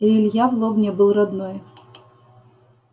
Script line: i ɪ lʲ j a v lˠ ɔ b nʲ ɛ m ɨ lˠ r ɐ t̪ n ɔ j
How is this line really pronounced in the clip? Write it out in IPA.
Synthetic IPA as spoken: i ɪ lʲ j a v lˠ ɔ b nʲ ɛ b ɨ lˠ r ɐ d̪ n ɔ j